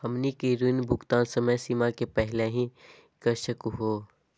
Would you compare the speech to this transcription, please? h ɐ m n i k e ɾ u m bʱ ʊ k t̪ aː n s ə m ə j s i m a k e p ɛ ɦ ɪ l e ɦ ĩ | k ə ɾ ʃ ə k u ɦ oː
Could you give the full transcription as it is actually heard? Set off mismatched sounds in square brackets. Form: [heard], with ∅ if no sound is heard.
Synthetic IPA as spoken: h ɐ m n i k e ɾ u [n] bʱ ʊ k t̪ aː n s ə m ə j s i m a k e p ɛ ɦ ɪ l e ɦ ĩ | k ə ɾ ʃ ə k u ɦ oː